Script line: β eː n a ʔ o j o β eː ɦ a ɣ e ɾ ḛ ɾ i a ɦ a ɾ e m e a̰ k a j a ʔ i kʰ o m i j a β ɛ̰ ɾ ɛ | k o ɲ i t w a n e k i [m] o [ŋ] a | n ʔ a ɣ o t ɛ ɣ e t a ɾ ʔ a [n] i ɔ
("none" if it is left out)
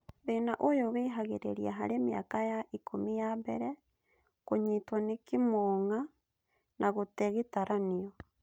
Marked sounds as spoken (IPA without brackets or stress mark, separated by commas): m, ŋ, n